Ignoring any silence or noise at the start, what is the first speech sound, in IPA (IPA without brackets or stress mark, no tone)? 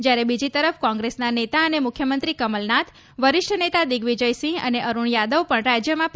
d͡ʒ